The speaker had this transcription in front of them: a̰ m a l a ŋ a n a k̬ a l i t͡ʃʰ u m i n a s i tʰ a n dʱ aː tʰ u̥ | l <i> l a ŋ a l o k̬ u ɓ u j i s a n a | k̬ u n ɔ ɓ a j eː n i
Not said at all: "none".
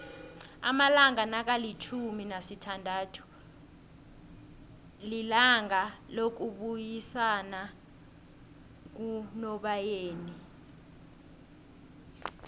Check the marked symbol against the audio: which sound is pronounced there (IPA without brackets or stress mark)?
i